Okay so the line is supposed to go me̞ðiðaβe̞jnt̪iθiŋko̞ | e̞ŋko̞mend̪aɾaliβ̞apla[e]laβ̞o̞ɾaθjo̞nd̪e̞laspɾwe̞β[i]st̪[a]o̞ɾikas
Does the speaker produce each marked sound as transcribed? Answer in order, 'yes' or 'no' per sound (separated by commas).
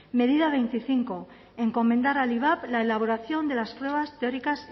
yes, no, no